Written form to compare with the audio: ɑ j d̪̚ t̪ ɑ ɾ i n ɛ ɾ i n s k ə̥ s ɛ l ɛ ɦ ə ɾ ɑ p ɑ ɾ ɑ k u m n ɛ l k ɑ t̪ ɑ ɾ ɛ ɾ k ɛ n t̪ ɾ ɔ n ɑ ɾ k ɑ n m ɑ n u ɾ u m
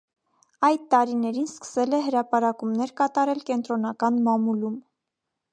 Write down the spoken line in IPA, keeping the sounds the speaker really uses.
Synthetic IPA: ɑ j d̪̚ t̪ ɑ ɾ i n ɛ ɾ i n s k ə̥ s ɛ l ɛ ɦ ə ɾ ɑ p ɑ ɾ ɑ k u m n ɛ ɾ k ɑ t̪ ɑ ɾ ɛ l k ɛ n t̪ ɾ ɔ n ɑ k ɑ n m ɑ m u l u m